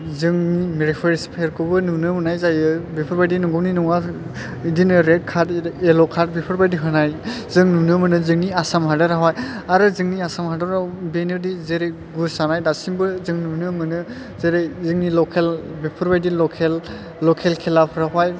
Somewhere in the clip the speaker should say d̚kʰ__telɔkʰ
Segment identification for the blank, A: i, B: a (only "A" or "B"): B